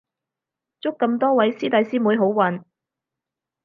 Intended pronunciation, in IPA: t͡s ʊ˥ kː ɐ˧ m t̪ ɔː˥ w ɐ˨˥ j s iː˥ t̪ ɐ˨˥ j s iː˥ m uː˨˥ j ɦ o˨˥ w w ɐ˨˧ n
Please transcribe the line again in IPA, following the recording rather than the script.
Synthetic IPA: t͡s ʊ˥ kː ɐ˧ m t̪ ɔː˥ w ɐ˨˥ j s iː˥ t̪ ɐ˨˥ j s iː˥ m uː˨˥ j ɦ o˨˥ w w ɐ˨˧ n